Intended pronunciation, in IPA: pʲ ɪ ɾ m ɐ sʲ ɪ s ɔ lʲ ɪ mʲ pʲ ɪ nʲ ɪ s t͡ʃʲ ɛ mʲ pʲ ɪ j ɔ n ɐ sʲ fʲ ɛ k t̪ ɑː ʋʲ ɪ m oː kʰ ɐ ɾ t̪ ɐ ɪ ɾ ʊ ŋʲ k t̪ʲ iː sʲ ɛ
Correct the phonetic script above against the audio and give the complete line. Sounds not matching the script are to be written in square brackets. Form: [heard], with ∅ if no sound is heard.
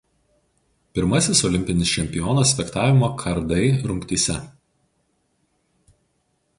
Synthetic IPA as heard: pʲ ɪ ɾ m ɐ sʲ ɪ s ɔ lʲ ɪ mʲ pʲ ɪ nʲ ɪ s t͡ʃʲ ɛ mʲ pʲ ɪ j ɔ n ɐ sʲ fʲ ɛ k t̪ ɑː ʋʲ ɪ m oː kʰ ɐ ɾ [d̪] ɐ ɪ ɾ ʊ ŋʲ k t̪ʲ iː sʲ ɛ